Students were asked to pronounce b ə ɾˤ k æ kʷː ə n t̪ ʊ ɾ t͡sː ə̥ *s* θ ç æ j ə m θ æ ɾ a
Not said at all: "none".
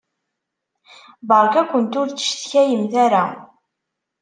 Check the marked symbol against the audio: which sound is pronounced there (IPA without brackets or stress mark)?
ʃ